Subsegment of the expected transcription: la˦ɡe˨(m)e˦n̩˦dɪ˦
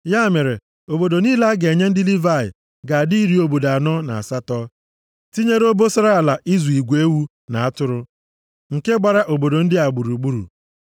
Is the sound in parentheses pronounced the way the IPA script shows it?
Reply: no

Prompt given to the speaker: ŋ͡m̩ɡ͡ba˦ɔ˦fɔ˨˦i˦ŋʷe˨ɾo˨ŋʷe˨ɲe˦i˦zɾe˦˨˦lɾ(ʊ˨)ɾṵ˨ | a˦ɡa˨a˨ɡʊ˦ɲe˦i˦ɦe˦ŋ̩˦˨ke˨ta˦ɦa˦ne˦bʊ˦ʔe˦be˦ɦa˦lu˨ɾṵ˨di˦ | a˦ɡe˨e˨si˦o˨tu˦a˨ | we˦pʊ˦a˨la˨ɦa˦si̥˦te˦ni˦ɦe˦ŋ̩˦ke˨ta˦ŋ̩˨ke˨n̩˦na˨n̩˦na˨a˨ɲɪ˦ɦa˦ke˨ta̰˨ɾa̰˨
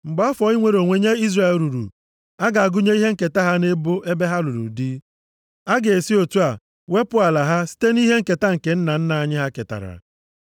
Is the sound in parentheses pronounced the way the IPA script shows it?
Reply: no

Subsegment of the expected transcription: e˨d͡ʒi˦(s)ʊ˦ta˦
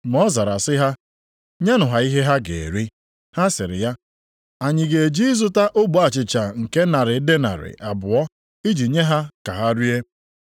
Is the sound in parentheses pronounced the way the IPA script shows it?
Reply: no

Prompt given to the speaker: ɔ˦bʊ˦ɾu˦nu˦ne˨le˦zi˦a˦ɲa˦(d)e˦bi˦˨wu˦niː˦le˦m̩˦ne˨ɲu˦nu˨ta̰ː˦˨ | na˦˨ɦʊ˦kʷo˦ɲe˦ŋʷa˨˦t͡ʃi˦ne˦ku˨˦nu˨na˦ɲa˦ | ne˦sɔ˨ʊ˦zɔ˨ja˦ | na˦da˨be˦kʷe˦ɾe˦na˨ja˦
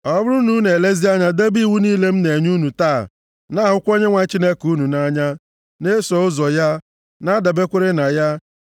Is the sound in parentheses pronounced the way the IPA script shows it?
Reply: yes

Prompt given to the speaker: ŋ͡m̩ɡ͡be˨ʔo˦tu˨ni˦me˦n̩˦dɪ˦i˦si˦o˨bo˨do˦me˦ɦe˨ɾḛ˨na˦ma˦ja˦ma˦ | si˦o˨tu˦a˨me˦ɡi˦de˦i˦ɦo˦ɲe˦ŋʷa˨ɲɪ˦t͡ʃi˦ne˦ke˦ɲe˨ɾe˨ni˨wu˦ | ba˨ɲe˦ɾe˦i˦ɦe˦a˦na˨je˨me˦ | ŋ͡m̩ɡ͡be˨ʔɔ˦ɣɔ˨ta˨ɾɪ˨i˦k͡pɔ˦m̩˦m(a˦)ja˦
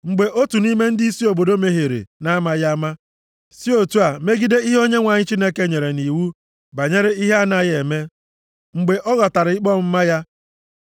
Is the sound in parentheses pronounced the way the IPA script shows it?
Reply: yes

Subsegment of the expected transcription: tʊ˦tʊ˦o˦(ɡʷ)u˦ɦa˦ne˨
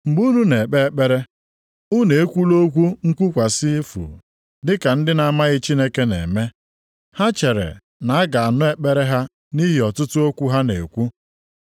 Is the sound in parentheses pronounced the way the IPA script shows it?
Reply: no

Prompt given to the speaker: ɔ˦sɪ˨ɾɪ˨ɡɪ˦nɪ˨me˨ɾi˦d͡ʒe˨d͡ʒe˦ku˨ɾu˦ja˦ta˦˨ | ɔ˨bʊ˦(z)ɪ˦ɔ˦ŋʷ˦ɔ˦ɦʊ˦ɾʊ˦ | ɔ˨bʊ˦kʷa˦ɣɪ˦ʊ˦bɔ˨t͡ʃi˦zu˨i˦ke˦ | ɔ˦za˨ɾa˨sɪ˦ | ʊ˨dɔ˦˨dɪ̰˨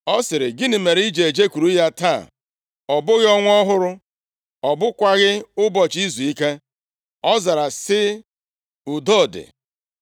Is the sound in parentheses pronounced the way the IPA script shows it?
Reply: no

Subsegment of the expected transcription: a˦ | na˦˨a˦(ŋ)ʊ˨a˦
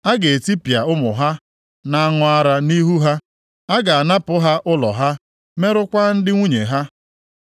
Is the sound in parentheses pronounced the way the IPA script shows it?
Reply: yes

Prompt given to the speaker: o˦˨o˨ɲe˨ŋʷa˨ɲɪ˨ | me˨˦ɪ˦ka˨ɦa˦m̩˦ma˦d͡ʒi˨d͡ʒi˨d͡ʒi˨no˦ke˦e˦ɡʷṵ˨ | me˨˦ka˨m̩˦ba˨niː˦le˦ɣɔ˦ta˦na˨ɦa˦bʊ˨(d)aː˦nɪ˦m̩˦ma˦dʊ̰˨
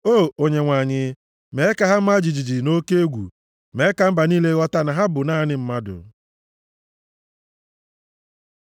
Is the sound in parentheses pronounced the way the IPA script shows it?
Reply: no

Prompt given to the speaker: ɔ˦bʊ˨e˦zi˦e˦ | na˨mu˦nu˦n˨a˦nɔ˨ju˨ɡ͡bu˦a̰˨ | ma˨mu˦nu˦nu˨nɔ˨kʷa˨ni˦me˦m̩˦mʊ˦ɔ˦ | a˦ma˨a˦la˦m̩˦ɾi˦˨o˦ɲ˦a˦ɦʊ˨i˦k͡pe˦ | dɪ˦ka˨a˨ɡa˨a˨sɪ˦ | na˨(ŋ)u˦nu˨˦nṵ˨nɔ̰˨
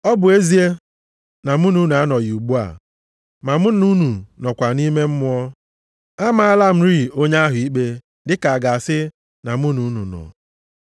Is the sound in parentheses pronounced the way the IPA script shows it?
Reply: no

